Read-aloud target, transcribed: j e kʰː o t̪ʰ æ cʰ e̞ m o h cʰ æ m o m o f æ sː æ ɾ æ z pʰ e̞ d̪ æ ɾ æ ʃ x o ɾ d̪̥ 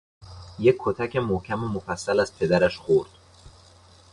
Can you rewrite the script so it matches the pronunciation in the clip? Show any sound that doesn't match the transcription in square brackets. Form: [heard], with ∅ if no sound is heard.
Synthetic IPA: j e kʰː o t̪ʰ æ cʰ e̞ m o h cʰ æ m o m o f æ sː æ [l] æ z pʰ e̞ d̪ æ ɾ æ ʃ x o ɾ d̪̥